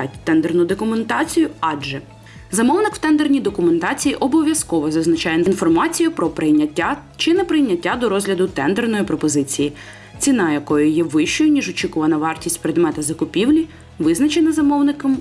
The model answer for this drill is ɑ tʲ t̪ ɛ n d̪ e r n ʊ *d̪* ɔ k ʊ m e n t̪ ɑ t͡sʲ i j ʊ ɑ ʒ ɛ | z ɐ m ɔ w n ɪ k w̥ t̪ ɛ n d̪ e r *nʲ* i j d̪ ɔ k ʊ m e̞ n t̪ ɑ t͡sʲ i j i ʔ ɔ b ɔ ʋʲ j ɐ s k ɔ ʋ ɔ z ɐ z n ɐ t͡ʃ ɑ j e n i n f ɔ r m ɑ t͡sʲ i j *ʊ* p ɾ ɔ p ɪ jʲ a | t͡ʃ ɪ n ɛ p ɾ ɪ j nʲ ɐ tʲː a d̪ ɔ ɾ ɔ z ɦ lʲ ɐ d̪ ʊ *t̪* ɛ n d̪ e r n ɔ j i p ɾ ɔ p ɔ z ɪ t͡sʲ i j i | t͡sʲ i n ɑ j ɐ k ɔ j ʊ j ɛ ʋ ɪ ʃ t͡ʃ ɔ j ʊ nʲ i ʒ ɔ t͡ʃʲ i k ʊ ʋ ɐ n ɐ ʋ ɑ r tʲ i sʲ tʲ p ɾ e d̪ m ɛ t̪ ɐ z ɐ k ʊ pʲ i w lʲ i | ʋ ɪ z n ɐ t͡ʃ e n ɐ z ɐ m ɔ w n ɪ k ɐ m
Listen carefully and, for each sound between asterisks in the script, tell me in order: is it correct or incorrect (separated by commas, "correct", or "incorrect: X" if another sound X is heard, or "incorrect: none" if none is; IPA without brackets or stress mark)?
correct, correct, correct, correct